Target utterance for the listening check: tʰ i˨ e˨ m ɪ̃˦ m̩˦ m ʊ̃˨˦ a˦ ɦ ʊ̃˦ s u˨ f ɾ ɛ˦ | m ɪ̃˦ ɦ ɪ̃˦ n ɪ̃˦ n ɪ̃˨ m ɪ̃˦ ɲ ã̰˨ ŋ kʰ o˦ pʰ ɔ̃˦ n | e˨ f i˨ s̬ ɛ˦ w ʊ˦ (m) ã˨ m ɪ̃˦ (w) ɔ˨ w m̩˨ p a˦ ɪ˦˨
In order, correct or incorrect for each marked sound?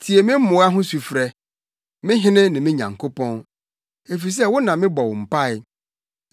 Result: incorrect: n, incorrect: b

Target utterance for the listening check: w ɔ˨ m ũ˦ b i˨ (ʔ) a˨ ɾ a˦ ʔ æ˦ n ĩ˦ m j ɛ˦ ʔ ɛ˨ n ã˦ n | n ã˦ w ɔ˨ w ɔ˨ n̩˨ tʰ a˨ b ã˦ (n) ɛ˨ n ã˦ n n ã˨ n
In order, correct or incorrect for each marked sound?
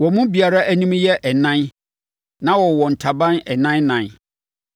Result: incorrect: none, correct

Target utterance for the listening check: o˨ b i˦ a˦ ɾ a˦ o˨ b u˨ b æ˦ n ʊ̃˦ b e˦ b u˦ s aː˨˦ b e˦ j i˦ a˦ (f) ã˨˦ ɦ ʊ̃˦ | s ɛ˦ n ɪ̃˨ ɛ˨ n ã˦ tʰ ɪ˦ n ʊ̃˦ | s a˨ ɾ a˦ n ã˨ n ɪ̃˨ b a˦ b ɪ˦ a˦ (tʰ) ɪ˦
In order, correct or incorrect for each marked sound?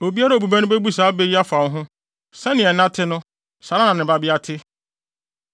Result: correct, correct

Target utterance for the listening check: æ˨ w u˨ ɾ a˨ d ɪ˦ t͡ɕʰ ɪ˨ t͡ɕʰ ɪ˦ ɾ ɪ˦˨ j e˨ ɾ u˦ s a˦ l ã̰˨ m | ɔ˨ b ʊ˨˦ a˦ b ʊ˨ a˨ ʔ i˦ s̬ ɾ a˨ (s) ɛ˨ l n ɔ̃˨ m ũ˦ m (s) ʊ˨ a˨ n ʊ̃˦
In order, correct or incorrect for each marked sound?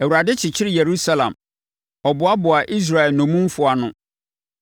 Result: incorrect: none, incorrect: f

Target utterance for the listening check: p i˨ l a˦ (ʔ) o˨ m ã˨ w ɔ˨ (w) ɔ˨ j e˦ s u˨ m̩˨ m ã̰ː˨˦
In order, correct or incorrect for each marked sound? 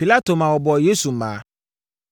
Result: incorrect: t, incorrect: b

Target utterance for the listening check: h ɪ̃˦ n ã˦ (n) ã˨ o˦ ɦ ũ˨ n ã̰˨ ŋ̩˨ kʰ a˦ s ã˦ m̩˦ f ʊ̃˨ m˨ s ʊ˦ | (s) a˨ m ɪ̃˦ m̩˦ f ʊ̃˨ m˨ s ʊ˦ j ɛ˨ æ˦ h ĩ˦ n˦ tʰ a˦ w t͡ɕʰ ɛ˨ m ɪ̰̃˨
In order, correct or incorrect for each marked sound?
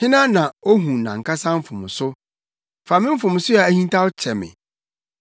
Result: correct, incorrect: f

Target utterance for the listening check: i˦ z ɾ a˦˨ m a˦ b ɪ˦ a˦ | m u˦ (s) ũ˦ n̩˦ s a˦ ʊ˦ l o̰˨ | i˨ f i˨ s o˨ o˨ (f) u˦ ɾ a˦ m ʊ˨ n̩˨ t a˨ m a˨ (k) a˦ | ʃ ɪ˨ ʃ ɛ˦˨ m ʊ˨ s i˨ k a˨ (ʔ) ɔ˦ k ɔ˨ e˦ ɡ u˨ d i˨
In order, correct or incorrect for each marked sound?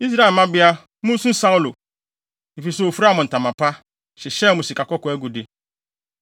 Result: correct, correct, incorrect: p, incorrect: k

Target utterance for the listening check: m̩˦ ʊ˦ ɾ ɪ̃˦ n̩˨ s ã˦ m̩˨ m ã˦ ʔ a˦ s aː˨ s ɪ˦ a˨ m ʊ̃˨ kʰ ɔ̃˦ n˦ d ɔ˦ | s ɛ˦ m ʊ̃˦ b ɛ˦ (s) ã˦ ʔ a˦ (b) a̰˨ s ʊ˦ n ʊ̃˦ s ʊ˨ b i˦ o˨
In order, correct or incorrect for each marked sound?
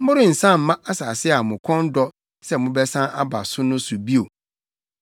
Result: correct, correct

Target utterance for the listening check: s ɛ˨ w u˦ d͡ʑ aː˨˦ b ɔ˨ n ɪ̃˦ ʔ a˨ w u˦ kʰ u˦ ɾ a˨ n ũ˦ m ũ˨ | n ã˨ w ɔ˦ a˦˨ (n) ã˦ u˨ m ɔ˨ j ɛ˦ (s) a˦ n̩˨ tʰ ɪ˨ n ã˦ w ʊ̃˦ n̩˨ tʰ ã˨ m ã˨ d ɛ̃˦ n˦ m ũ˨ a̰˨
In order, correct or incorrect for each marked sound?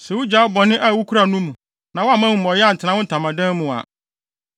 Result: incorrect: m, incorrect: none

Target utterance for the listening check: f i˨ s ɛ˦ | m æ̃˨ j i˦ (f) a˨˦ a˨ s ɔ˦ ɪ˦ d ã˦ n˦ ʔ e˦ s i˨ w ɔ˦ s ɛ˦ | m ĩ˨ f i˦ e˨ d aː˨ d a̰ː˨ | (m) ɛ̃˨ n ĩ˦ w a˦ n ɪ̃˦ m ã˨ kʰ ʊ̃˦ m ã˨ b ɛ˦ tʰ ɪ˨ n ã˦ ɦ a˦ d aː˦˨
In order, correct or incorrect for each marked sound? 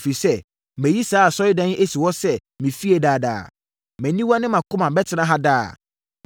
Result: incorrect: s, correct

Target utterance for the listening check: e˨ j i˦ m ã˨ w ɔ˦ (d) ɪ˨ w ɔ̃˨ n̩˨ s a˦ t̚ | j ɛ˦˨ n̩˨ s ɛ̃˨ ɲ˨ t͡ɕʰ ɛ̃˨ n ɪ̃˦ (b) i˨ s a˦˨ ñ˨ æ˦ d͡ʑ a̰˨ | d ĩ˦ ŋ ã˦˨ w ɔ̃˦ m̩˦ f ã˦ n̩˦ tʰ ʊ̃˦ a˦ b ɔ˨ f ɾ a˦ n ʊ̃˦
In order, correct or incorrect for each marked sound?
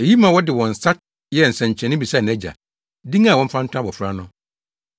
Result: correct, correct

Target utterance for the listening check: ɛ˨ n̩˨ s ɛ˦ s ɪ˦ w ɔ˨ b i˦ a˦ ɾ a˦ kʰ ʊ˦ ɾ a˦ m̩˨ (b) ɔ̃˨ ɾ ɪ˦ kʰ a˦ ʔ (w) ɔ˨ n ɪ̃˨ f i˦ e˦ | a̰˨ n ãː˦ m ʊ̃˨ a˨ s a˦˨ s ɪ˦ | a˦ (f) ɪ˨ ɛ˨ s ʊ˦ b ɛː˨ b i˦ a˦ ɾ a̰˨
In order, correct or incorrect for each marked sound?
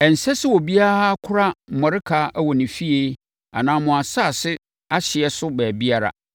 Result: incorrect: m, correct, incorrect: ɕ

